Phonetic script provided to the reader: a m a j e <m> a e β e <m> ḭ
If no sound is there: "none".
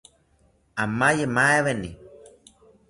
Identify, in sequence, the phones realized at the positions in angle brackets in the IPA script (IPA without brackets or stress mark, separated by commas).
m, n